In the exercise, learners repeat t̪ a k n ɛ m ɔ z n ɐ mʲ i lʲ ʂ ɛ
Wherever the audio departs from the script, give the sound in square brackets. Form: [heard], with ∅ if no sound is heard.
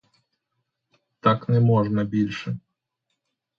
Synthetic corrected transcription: t̪ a k n ɛ m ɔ [ʐ] n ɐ [bʲ] i lʲ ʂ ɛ